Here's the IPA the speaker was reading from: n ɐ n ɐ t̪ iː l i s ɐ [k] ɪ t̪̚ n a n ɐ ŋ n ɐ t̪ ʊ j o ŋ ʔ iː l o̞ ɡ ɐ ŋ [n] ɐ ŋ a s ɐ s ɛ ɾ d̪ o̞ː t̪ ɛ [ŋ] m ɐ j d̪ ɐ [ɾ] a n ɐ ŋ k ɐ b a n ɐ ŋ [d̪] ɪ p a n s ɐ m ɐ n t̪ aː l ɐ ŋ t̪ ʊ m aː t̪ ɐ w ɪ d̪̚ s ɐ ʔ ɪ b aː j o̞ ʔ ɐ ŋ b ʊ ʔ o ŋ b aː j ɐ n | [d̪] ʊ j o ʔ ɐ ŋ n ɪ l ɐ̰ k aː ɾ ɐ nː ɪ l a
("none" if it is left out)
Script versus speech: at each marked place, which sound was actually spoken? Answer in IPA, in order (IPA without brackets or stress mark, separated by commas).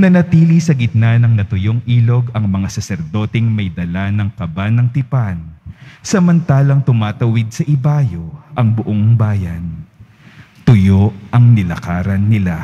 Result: ɡ, m, ŋ, l, t̪, t̪